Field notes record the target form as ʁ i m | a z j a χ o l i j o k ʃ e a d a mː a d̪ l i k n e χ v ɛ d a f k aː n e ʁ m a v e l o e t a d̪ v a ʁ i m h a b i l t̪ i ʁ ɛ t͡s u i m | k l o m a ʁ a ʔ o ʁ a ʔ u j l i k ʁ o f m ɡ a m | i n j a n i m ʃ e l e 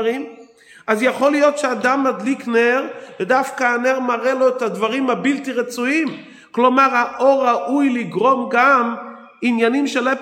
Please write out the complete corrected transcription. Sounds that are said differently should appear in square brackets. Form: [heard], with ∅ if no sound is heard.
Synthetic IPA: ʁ i m | a z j a χ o l i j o [t] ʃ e a d a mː a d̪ l i k n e [ʁ] v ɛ d a f k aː n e ʁ m a [ʁ] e l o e t a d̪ v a ʁ i m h a b i l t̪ i ʁ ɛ t͡s u i m | k l o m a ʁ a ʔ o ʁ a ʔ u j l i [ɡ] ʁ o [∅] m ɡ a m | i n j a n i m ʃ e l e